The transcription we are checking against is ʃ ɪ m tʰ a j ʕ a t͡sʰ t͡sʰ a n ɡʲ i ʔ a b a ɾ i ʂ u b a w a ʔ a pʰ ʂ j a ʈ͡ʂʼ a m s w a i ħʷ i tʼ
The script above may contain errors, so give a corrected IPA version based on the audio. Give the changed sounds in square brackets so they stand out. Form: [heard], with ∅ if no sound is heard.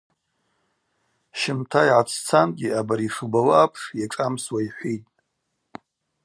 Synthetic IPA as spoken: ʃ ɪ m tʰ a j ʕ a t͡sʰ t͡sʰ a n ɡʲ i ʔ a b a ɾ i ʂ u b a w a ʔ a pʰ ʂ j a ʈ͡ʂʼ a m s w a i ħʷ i tʼ